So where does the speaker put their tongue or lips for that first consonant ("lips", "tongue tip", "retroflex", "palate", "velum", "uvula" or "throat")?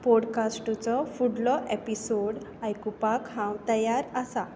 lips